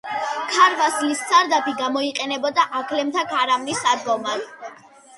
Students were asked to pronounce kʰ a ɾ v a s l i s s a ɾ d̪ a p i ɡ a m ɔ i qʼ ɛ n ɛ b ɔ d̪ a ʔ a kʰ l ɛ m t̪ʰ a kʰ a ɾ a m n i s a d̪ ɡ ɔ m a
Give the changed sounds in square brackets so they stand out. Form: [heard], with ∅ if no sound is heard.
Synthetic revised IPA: kʰ a ɾ v a s l i s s a ɾ d̪ a p i ɡ a m ɔ i qʼ ɛ n ɛ b ɔ d̪ a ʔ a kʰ l ɛ m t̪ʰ a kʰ a ɾ a m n i s a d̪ ɡ ɔ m a

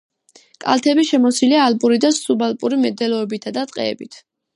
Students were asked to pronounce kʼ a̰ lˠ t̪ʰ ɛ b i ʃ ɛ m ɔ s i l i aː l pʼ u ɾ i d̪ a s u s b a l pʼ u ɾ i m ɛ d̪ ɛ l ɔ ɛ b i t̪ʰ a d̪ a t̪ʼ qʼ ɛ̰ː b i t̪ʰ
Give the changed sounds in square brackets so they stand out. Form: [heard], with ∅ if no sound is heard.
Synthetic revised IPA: kʼ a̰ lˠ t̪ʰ ɛ b i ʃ ɛ m ɔ s i l i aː l pʼ u ɾ i d̪ a s u [∅] b a l pʼ u ɾ i m ɛ d̪ ɛ l ɔ ɛ b i t̪ʰ a d̪ a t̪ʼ qʼ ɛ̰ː b i t̪ʰ

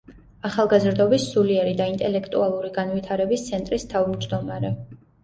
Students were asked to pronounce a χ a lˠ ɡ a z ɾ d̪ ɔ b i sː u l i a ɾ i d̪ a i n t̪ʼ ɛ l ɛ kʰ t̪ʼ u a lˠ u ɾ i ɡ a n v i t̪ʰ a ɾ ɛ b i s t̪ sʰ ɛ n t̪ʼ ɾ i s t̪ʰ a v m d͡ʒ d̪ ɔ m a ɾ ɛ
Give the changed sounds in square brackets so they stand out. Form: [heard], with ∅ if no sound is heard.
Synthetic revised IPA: a χ a lˠ ɡ a z ɾ d̪ ɔ b i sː u l i [ɛ] ɾ i d̪ a i n t̪ʼ ɛ l ɛ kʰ t̪ʼ u a lˠ u ɾ i ɡ a n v i t̪ʰ a ɾ ɛ b i s t̪ sʰ ɛ n t̪ʼ ɾ i s t̪ʰ a v m d͡ʒ d̪ ɔ m a ɾ ɛ

